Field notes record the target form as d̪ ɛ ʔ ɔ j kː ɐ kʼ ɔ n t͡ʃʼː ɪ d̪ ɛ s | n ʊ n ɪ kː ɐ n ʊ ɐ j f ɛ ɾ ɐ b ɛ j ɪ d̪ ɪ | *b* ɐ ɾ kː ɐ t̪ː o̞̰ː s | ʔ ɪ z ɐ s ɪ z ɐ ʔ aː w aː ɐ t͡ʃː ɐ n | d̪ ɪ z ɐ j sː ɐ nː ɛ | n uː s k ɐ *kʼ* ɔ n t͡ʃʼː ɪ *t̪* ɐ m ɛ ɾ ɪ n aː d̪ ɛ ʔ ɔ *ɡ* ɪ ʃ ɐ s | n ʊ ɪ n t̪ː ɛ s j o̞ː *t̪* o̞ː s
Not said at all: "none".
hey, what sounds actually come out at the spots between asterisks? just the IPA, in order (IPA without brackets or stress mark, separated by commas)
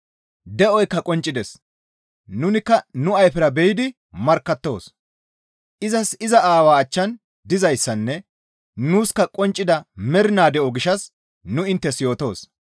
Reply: m, kʼ, d̪, ɡ, t̪